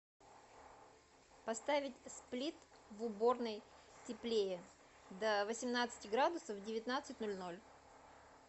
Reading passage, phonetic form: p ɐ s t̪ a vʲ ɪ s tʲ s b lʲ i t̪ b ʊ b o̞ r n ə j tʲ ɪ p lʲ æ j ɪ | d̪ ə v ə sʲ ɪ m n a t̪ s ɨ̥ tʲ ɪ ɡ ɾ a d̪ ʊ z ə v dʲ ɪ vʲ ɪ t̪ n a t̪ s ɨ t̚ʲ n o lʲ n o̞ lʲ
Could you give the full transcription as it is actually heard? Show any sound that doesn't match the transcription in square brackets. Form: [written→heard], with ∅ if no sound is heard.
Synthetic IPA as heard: p ɐ s t̪ a vʲ ɪ [s→∅] tʲ s [b→p] lʲ i t̪ [b→v] ʊ b o̞ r n ə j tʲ ɪ p lʲ [æ→e] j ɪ | d̪ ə v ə sʲ ɪ m n a t̪ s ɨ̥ tʲ ɪ ɡ ɾ a d̪ ʊ [z→s] ə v dʲ ɪ vʲ ɪ t̪ n a t̪ s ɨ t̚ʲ n o lʲ n o̞ lʲ